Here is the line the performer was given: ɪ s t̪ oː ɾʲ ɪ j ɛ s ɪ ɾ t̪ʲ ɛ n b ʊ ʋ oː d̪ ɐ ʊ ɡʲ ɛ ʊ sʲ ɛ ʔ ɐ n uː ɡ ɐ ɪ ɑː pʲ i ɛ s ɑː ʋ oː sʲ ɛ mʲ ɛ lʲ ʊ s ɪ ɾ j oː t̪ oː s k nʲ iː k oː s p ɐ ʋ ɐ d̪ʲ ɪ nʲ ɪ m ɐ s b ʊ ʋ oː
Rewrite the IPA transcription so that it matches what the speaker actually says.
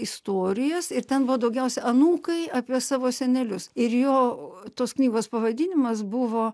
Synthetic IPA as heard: ɪ s t̪ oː ɾʲ ɪ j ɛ s ɪ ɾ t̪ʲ ɛ n b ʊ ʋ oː d̪ ɐ ʊ ɡʲ ɛ ʊ sʲ ɛ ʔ ɐ n uː k ɐ ɪ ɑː pʲ i ɛ s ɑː ʋ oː sʲ ɛ nʲ ɛ lʲ ʊ s ɪ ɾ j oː t̪ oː s k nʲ iː ɡ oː s p ɐ ʋ ɐ d̪ʲ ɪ nʲ ɪ m ɐ s b ʊ ʋ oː

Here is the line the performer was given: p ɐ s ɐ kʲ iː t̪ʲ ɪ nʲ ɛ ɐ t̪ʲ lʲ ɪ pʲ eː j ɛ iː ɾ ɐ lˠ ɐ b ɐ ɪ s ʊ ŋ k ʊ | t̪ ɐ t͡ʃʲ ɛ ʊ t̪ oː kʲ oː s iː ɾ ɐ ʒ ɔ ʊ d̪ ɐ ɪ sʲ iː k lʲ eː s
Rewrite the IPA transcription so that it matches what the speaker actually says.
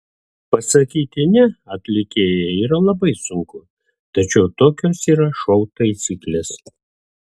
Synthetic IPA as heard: p ɐ s ɐ kʲ iː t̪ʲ ɪ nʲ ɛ ɐ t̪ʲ lʲ ɪ kʲ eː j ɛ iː ɾ ɐ lˠ ɐ b ɐ ɪ s ʊ ŋ k ʊ | t̪ ɐ t͡ʃʲ ɛ ʊ t̪ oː kʲ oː s iː ɾ ɐ ʃ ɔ ʊ t̪ ɐ ɪ sʲ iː k lʲ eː s

